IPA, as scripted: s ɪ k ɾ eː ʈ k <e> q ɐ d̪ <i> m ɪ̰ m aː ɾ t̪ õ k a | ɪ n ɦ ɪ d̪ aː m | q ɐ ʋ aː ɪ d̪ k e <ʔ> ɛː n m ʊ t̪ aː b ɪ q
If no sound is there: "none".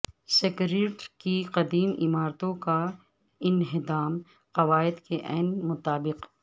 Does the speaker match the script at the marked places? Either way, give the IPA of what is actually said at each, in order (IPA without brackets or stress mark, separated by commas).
i, iː, ʔ